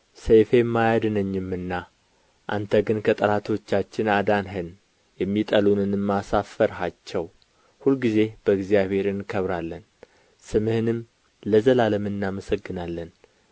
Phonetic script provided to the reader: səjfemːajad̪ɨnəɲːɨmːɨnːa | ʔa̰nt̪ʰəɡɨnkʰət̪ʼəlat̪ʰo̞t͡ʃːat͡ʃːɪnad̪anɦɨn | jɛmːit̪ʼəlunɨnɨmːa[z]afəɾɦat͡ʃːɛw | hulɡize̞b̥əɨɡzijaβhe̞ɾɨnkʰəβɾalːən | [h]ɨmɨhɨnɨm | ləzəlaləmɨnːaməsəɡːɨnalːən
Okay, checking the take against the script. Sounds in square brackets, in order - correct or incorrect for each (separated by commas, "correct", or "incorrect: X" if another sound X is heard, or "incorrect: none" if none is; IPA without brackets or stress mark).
incorrect: s, incorrect: s